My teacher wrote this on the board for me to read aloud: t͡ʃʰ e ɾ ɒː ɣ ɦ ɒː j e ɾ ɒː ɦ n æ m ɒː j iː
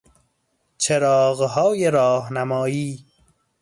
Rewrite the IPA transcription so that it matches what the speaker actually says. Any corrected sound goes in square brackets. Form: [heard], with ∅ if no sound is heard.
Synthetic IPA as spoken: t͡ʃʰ e ɾ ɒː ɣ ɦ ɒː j e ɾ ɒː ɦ n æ m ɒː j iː